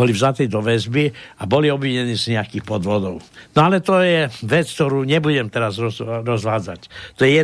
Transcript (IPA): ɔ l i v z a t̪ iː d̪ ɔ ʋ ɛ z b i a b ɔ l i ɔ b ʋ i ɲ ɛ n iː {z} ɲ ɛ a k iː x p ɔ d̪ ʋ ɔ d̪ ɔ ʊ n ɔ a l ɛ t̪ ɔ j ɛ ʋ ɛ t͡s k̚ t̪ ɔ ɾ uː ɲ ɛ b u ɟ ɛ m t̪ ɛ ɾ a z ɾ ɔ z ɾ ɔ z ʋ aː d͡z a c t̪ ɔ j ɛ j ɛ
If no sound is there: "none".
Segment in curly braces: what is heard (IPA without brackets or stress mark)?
z